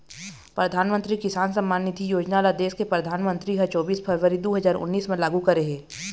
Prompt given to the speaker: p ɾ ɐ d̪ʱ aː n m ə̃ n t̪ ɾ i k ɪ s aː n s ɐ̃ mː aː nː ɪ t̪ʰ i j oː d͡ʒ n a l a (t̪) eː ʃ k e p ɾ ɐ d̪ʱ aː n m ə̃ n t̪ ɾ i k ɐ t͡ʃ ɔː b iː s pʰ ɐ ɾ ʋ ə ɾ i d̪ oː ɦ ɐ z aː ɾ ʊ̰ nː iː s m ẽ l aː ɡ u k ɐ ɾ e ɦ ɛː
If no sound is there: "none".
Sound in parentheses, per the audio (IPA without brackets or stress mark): d̪